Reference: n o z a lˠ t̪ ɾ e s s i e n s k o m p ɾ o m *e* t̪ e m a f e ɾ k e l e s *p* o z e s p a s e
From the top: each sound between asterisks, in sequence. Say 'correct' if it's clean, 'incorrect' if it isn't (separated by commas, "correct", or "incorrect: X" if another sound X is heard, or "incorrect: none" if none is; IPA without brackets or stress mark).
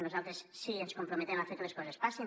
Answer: correct, incorrect: k